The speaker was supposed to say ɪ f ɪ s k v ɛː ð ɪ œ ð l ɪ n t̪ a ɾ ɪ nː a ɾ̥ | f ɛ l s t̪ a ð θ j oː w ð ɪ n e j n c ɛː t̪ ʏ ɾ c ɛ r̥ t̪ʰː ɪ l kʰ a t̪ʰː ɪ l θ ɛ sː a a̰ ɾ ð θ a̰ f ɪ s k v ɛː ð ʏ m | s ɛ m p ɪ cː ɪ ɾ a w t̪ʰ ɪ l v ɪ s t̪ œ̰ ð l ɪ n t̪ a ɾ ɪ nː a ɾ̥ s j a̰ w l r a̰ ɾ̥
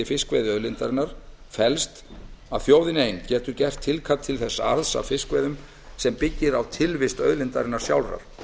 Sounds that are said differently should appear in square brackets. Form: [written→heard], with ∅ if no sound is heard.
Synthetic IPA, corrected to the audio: ɪ f ɪ s k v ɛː ð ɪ œ ð l ɪ n t̪ a ɾ ɪ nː a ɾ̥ | f ɛ l s t̪ a ð θ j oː w ð ɪ n e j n c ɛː t̪ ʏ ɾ c ɛ r̥ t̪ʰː ɪ l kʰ a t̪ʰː ɪ l θ ɛ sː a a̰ ɾ ð [θ→s] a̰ f ɪ s k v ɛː ð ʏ m | s ɛ m p ɪ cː ɪ ɾ a w t̪ʰ ɪ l v ɪ s t̪ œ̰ ð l ɪ n t̪ a ɾ ɪ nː a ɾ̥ s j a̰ w l r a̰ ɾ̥

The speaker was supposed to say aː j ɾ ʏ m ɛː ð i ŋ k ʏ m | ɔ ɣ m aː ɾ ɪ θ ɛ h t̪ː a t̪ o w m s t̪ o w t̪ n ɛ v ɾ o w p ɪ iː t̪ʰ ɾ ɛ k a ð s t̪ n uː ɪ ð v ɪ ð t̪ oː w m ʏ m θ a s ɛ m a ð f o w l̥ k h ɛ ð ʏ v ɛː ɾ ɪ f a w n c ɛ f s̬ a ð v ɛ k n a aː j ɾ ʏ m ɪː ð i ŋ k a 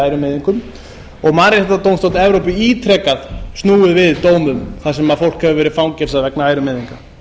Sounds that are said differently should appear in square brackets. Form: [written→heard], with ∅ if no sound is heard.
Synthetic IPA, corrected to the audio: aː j ɾ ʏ m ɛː ð i ŋ k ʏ m | ɔ ɣ m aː ɾ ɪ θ ɛ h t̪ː a t̪ o w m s t̪ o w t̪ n ɛ v ɾ o w p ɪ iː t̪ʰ ɾ ɛ k a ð s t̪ n uː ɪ ð v ɪ ð t̪ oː w m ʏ m θ a s ɛ m a ð f o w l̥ k h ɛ [ð→v] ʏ v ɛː ɾ ɪ f a w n c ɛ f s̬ a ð v ɛ k n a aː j ɾ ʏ m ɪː ð i ŋ k a

